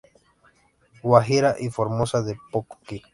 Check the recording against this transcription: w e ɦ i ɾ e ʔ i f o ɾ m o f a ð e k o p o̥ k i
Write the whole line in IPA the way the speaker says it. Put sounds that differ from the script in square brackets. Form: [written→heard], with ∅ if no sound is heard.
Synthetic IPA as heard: w [e→a] ɦ i ɾ [e→a] ʔ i f o ɾ m o [f→s] a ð e [k→p] o [p→k] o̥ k i